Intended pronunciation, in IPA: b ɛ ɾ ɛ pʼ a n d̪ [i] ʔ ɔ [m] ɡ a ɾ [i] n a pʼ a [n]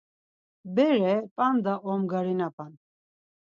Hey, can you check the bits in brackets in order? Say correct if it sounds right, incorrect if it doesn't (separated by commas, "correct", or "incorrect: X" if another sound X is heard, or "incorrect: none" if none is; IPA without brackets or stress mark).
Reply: incorrect: a, correct, correct, correct